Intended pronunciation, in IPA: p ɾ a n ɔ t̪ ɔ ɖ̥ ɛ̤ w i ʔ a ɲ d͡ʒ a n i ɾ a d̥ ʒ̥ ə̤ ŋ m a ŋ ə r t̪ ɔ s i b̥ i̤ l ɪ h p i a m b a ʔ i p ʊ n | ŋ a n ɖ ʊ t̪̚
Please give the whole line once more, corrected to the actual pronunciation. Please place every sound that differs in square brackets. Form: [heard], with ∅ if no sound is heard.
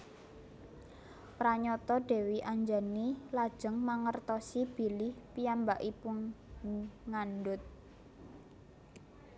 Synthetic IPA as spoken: p ɾ a [ɲ] ɔ t̪ ɔ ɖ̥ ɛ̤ w i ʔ a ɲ d͡ʒ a n i [l] a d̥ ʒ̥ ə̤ ŋ m a ŋ ə r t̪ ɔ s i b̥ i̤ l ɪ h p i a m b a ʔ i p ʊ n | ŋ a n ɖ ʊ t̪̚